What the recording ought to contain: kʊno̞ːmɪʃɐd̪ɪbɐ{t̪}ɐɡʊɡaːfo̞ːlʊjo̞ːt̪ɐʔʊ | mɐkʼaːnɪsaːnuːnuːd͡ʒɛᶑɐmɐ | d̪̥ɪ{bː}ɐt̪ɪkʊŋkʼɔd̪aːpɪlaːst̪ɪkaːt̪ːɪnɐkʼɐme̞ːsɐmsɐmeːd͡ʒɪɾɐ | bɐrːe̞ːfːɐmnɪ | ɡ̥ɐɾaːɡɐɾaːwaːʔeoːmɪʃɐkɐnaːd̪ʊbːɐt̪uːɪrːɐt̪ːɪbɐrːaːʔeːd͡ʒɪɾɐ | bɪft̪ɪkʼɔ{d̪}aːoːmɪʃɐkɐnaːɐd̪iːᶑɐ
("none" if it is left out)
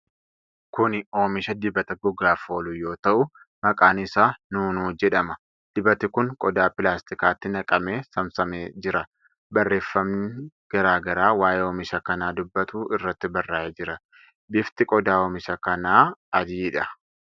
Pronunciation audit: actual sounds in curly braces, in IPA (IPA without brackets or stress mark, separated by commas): t̪, b, d̪